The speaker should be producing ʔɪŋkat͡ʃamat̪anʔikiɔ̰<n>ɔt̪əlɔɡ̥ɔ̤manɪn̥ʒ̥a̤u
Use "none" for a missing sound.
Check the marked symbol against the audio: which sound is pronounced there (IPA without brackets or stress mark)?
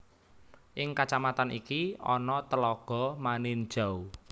n